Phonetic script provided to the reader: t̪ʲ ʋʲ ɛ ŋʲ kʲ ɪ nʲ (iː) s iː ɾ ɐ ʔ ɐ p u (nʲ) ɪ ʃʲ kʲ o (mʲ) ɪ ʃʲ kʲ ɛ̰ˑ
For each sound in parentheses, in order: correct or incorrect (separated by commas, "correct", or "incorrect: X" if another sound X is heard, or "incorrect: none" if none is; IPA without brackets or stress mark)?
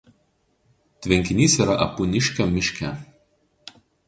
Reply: correct, correct, correct